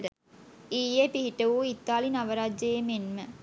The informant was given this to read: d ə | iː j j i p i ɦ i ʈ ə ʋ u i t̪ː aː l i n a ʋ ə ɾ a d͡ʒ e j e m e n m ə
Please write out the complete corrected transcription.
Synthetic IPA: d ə | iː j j e p i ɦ i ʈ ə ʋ u i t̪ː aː l i n a ʋ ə ɾ a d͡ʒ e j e m e n m ə